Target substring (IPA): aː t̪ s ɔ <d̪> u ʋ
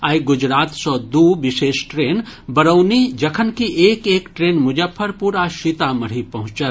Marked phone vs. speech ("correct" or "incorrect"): correct